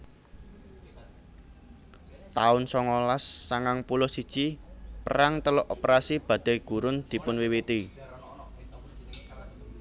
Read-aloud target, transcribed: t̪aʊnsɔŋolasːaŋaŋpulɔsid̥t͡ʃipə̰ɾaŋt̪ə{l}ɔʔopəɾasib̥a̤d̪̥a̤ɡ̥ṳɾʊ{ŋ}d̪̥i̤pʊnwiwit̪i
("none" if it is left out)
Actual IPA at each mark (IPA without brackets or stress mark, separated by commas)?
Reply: l, n